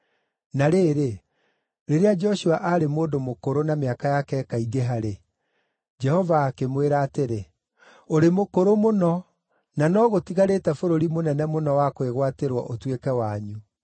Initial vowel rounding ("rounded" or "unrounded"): unrounded